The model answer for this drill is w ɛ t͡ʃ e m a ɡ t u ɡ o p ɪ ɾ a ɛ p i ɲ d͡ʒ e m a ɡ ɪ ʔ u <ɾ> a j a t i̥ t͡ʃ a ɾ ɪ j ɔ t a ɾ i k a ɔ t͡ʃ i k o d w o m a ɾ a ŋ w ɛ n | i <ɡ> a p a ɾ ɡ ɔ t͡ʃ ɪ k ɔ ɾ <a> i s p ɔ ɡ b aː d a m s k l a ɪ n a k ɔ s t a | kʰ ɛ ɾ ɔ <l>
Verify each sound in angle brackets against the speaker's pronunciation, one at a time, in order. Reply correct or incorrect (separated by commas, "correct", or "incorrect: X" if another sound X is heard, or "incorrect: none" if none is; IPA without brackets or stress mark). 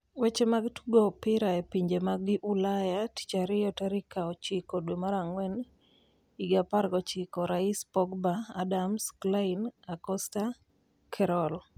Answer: incorrect: l, correct, correct, correct